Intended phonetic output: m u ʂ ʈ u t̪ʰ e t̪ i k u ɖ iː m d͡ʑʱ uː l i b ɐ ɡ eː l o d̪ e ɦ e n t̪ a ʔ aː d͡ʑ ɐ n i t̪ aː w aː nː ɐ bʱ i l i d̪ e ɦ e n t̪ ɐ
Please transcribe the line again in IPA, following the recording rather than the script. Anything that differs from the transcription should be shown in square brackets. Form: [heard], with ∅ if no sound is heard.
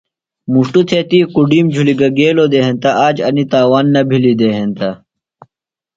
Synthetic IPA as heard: m u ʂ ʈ u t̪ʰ e t̪ i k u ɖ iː m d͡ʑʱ [u] l i [ɡ] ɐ ɡ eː l o d̪ e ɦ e n t̪ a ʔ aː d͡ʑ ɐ n i t̪ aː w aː nː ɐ bʱ i l i d̪ e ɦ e n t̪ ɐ